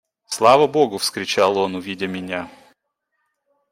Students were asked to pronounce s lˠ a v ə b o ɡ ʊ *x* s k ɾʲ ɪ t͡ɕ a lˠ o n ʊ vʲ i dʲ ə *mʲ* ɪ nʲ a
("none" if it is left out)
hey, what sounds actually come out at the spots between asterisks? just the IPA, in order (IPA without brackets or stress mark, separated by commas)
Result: f, mʲ